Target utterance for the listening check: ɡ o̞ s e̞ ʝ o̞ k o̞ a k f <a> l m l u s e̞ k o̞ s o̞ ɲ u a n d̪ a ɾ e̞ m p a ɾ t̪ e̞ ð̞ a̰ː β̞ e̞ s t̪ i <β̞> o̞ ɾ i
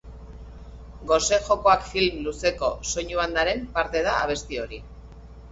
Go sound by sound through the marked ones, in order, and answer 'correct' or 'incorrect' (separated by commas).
incorrect, incorrect